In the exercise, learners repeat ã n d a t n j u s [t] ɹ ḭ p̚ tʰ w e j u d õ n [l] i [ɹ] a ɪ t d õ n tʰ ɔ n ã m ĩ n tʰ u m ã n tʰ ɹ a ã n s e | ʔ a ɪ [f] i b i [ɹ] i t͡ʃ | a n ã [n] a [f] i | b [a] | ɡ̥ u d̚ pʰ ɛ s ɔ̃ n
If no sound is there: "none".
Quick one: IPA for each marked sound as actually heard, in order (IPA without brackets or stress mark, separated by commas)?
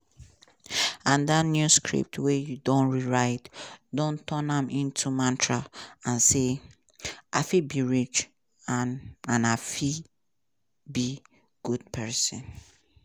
k, ɹ, ɹ, f, ɹ, n, f, i